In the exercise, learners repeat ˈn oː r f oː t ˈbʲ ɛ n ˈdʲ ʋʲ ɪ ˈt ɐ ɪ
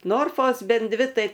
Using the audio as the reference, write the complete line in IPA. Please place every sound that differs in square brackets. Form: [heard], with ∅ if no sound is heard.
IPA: ˈn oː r f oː [s] ˈbʲ ɛ n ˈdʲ ʋʲ ɪ ˈt ɐ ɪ